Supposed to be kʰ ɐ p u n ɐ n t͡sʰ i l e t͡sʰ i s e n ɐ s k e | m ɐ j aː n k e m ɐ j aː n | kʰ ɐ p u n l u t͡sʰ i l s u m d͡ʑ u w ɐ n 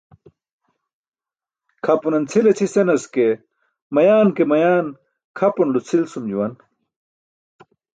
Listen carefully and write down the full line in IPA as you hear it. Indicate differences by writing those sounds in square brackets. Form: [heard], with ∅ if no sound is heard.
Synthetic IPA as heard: kʰ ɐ p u n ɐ n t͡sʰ i l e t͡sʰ i s e n ɐ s k e | m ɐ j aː n k e m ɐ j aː n | kʰ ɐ p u n l u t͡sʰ i l s u m d͡ʑ u w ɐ n